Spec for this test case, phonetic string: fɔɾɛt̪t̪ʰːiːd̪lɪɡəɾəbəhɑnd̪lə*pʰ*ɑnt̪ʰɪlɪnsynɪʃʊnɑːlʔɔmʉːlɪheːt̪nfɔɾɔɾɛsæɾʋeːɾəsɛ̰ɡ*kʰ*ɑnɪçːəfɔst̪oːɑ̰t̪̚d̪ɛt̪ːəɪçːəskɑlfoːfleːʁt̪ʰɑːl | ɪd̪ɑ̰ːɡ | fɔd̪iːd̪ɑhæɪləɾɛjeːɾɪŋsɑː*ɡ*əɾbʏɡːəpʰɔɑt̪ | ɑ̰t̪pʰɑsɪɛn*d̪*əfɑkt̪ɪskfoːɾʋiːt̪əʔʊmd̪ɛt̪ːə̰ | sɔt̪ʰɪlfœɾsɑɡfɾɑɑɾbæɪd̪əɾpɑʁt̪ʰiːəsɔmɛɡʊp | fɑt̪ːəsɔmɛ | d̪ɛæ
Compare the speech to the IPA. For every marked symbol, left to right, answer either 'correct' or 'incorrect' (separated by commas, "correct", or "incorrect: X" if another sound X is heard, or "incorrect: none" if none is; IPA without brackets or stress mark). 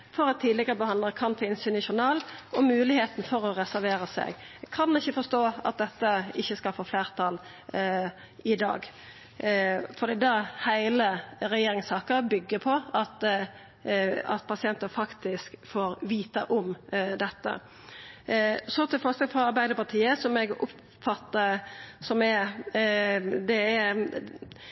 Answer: incorrect: kʰ, correct, incorrect: k, incorrect: t̪